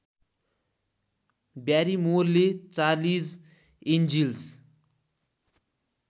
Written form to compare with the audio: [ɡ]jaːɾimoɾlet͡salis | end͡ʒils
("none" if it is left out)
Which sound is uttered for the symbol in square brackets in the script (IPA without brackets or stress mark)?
b